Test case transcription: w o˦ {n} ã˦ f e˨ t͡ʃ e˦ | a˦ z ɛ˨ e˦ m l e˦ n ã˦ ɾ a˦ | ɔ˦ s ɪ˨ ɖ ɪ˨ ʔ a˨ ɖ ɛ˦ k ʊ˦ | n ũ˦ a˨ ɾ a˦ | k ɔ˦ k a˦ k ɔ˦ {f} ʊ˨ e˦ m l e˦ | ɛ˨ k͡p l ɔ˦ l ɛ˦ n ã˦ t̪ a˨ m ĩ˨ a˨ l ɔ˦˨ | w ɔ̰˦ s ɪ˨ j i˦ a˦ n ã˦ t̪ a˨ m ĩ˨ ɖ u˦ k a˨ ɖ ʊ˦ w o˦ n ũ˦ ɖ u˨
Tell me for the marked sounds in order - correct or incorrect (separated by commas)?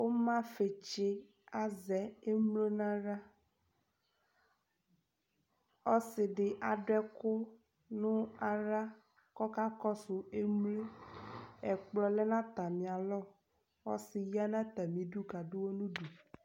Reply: incorrect, incorrect